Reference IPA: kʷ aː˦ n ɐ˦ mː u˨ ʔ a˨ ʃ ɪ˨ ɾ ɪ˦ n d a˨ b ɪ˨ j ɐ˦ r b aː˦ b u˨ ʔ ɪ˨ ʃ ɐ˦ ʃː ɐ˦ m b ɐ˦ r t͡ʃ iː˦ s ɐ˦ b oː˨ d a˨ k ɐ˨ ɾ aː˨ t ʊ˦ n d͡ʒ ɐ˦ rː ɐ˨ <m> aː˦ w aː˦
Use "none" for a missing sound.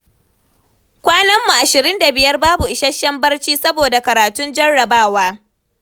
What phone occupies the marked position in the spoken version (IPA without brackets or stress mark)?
b